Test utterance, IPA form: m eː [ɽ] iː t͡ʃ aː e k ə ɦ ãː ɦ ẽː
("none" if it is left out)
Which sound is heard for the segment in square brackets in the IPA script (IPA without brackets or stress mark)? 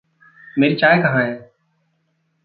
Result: ɾ